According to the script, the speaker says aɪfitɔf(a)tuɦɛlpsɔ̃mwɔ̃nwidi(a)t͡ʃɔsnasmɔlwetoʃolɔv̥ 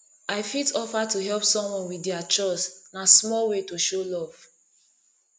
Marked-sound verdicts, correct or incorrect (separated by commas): correct, correct